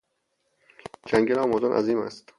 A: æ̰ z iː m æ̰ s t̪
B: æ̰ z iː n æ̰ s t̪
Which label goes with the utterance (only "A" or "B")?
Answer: A